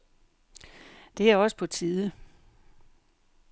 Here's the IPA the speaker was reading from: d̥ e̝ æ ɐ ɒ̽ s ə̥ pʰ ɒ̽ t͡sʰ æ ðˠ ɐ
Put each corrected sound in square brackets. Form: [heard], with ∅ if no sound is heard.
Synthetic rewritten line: d̥ e̝ æ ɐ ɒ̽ s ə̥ pʰ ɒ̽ t͡sʰ [i] ðˠ [ə]